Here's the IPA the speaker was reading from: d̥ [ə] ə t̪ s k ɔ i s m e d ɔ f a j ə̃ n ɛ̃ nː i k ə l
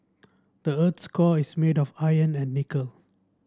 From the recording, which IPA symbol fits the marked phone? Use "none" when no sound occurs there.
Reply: ə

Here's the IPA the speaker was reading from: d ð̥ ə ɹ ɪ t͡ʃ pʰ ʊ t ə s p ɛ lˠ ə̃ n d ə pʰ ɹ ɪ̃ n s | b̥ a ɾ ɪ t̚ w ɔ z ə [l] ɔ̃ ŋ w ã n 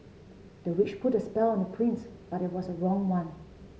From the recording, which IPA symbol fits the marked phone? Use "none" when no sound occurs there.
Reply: ɹ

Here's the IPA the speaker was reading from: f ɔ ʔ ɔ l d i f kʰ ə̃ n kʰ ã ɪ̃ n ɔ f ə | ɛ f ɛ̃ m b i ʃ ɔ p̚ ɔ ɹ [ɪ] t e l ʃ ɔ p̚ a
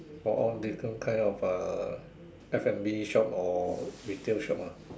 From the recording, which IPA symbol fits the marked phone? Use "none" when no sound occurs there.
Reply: i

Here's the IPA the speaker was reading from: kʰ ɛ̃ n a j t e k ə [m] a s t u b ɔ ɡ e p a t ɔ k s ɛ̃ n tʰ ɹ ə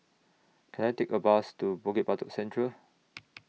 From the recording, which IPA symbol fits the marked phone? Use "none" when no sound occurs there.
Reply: b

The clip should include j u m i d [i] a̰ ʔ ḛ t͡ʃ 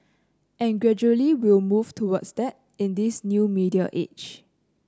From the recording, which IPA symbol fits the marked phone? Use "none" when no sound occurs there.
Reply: i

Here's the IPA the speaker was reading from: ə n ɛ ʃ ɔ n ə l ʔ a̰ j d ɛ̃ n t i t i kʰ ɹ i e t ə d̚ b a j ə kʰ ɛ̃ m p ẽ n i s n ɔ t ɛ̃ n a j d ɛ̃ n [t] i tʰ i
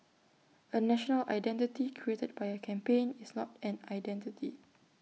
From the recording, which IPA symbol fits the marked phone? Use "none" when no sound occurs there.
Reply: t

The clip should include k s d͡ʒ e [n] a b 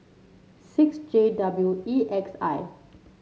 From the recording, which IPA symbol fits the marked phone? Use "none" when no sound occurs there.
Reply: d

